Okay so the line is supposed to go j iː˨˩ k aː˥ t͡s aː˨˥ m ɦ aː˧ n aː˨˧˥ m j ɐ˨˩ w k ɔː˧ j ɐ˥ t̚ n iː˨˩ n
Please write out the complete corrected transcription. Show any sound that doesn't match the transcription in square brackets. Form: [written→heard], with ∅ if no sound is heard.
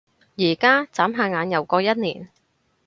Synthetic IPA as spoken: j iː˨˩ k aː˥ t͡s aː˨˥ m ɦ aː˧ [n→ŋ] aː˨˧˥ [m→n] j ɐ˨˩ w k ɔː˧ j ɐ˥ t̚ n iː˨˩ n